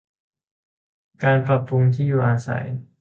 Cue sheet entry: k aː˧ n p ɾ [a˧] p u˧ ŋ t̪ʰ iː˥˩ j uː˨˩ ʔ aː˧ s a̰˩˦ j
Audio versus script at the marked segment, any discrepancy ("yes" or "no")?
no